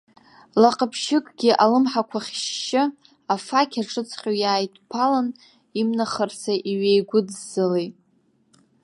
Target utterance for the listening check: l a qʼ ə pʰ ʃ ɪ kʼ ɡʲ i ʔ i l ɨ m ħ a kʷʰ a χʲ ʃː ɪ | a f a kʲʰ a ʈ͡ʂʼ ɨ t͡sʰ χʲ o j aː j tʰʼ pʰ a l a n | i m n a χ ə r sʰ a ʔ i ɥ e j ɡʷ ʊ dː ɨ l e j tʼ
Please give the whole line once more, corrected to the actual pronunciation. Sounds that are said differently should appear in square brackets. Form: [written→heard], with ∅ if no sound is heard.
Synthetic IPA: l a qʼ ə pʰ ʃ ɪ kʼ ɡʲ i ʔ [i→a] l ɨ m ħ a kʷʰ a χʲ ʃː ɪ | a f a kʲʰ a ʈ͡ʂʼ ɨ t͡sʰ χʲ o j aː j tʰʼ pʰ a l a n | i m n a χ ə r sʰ a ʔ i ɥ e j ɡʷ ʊ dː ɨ l e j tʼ